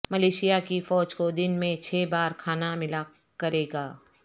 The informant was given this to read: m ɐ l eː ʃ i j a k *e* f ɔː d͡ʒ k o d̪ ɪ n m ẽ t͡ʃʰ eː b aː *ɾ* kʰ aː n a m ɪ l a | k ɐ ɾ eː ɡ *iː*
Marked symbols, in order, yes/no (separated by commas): no, yes, no